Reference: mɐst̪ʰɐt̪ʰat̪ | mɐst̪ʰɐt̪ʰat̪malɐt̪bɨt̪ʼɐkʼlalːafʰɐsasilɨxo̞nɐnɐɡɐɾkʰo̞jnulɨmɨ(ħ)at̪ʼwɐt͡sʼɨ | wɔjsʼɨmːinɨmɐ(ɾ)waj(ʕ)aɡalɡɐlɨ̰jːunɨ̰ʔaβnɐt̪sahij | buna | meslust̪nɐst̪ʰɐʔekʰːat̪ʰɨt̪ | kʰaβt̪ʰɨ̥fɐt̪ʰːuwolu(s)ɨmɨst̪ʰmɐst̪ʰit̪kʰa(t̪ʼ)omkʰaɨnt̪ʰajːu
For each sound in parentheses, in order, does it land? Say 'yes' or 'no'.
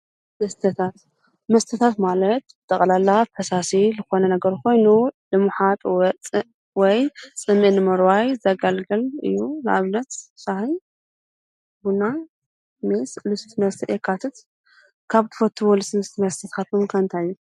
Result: yes, yes, no, yes, no

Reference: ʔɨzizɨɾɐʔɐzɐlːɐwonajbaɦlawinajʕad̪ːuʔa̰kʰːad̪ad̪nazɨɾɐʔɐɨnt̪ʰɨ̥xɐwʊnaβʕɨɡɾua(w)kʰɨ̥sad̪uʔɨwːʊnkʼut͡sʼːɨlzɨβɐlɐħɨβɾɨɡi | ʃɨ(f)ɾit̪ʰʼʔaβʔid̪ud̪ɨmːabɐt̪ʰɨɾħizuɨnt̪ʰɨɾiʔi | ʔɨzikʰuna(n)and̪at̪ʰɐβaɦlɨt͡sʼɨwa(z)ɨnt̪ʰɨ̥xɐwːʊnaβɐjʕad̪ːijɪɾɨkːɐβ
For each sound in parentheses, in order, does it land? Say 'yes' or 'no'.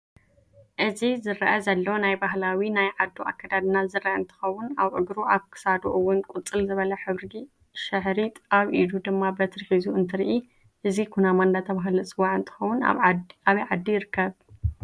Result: no, no, no, no

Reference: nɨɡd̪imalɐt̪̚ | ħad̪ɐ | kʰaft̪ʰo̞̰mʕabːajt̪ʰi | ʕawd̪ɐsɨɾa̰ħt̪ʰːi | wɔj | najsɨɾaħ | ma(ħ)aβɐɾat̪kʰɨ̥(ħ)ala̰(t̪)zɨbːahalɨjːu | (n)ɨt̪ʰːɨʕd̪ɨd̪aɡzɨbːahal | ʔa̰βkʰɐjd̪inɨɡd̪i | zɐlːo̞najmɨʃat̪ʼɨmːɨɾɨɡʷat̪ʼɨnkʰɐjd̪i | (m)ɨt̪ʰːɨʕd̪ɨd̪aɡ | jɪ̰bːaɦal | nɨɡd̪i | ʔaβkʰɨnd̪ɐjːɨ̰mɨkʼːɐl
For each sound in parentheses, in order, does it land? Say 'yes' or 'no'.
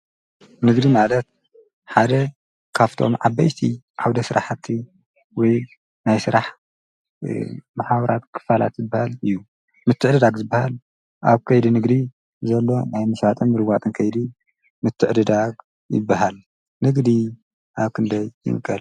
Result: yes, no, yes, no, yes

